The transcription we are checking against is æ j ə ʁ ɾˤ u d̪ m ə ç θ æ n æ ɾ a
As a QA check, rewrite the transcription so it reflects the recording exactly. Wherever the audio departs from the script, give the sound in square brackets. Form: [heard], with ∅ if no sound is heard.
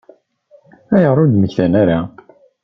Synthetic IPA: æ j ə ʁ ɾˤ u d̪ m ə ç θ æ n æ ɾ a